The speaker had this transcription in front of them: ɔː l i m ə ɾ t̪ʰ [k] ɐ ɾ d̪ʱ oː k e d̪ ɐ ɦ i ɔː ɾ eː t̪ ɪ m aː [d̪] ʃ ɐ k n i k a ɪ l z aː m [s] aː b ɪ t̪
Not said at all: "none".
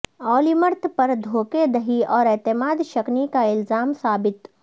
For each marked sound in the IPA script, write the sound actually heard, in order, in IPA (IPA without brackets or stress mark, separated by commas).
p, d̪, s